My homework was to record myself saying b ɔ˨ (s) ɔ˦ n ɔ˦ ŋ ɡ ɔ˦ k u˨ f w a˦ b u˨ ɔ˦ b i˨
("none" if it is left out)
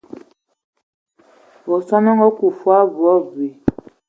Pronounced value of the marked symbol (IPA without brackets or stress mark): s